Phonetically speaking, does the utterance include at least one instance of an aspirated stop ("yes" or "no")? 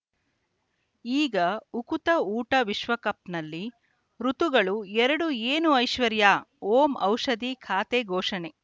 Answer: yes